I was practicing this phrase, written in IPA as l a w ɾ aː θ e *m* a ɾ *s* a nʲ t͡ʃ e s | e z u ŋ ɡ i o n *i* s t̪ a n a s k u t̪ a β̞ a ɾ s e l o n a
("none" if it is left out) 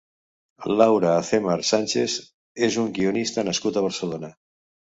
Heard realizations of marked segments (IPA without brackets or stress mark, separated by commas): m, s, i